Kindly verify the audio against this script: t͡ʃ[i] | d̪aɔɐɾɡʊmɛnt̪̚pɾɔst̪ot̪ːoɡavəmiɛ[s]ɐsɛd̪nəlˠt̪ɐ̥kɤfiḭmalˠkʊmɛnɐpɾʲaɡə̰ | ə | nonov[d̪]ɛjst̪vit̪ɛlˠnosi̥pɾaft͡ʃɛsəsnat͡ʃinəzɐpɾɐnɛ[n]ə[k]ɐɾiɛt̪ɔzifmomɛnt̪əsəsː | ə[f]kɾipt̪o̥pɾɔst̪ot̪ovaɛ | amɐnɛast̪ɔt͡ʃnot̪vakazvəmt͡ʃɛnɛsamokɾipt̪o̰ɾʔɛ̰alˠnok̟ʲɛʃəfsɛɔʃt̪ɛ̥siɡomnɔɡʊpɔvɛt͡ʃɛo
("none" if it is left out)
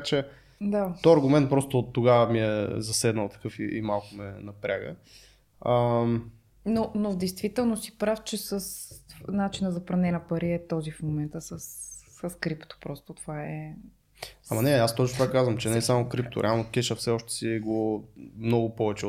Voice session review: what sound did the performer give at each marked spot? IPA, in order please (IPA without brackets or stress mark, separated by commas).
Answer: ɛ, z, d̪, n, p, s